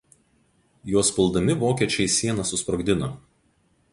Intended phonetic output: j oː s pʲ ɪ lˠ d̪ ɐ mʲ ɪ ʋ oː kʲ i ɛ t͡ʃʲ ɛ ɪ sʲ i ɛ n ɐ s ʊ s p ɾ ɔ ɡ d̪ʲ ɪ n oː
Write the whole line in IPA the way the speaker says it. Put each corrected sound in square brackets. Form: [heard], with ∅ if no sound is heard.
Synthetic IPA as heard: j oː s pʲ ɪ lˠ d̪ ɐ mʲ ɪ ʋ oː kʲ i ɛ t͡ʃʲ ɛ ɪ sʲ i ɛ n ɐ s ʊ s p ɾ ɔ ɡ d̪ʲ ɪ n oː

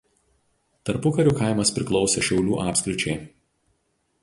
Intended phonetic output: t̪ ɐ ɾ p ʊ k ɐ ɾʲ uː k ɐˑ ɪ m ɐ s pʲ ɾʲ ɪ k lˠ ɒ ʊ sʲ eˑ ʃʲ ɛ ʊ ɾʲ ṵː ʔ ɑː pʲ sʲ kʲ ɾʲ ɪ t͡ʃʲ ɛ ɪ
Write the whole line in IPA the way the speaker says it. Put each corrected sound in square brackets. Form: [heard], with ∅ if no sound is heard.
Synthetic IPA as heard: t̪ ɐ ɾ p ʊ k ɐ ɾʲ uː k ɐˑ ɪ m ɐ s pʲ ɾʲ ɪ k lˠ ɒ ʊ sʲ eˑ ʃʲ ɛ ʊ [lʲ] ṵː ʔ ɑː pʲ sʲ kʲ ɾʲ ɪ t͡ʃʲ ɛ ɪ

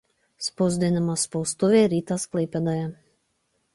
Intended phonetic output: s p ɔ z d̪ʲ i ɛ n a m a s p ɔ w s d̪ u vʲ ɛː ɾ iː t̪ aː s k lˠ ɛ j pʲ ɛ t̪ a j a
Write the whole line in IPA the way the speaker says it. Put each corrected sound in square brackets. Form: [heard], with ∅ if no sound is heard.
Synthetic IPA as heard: s p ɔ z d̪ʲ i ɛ n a m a s p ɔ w s [t̪] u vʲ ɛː ɾ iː t̪ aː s k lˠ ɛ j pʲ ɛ [d̪] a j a

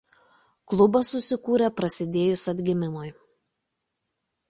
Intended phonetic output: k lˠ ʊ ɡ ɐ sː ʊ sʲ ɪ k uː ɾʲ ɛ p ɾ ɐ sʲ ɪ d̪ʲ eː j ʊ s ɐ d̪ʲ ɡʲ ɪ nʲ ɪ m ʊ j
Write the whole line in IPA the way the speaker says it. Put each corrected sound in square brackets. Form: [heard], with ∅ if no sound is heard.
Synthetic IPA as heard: k lˠ ʊ [b] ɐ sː ʊ sʲ ɪ k uː ɾʲ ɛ p ɾ ɐ sʲ ɪ d̪ʲ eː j ʊ s ɐ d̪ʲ ɡʲ ɪ [mʲ] ɪ m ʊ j

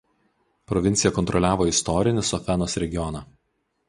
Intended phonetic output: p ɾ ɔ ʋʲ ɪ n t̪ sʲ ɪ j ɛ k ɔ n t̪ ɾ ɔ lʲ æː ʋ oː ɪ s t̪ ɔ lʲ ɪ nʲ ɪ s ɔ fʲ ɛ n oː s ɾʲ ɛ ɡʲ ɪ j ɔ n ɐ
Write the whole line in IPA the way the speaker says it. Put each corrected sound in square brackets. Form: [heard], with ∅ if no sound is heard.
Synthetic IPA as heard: p ɾ ɔ ʋʲ ɪ n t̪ sʲ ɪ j ɛ k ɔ n t̪ ɾ ɔ lʲ æː ʋ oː ɪ s t̪ ɔ [ɾʲ] ɪ nʲ ɪ s ɔ fʲ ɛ n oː s ɾʲ ɛ ɡʲ ɪ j ɔ n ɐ

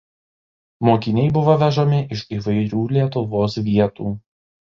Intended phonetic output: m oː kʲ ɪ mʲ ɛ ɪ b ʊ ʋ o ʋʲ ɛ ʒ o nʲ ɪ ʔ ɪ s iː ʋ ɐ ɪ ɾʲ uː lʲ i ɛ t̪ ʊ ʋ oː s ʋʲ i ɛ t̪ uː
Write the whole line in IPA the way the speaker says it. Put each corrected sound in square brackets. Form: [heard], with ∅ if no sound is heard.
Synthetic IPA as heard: m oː kʲ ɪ [nʲ] ɛ ɪ b ʊ ʋ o ʋʲ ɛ ʒ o [mʲ] ɪ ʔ ɪ [ʃ] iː ʋ ɐ ɪ ɾʲ uː lʲ i ɛ t̪ ʊ ʋ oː s ʋʲ i ɛ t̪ uː

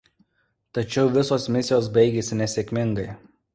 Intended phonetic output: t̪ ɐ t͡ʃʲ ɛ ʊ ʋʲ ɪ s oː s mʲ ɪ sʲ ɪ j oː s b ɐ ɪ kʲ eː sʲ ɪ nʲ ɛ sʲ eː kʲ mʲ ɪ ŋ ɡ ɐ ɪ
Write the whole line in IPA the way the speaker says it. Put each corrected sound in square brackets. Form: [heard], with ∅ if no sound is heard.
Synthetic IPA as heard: t̪ ɐ t͡ʃʲ ɛ ʊ ʋʲ ɪ s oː s mʲ ɪ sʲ ɪ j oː s b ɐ ɪ [ɡʲ] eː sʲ ɪ nʲ ɛ sʲ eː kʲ mʲ ɪ ŋ ɡ ɐ ɪ

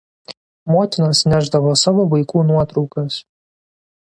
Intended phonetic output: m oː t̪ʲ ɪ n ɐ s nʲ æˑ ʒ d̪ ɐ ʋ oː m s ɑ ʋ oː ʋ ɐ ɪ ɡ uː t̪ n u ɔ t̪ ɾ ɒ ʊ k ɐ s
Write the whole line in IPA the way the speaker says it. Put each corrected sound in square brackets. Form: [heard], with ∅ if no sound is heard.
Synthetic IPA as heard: m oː t̪ʲ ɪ n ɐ s nʲ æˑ ʒ d̪ ɐ ʋ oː [∅] s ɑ ʋ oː ʋ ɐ ɪ [k] uː [∅] n u ɔ t̪ ɾ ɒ ʊ k ɐ s

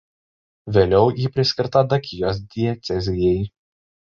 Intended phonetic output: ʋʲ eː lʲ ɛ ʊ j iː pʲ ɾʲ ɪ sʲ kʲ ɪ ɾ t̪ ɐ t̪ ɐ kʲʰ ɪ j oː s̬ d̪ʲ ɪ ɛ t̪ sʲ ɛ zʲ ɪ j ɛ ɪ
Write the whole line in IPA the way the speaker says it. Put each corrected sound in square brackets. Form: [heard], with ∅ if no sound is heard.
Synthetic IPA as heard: ʋʲ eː lʲ ɛ ʊ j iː pʲ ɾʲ ɪ sʲ kʲ ɪ ɾ t̪ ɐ [d̪] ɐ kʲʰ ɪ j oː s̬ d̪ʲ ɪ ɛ t̪ sʲ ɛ zʲ ɪ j ɛ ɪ

